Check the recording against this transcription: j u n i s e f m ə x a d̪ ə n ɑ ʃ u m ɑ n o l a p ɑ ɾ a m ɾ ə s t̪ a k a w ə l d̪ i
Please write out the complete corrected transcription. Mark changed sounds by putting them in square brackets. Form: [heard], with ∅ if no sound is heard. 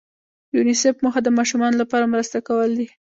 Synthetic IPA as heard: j u n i s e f m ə x a d̪ ə [m] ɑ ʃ u m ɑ n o l a p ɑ ɾ a m ɾ ə s t̪ a k a w ə l d̪ i